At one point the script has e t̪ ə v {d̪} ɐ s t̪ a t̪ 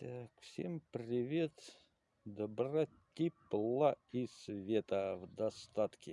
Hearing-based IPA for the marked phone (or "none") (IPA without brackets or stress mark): d̪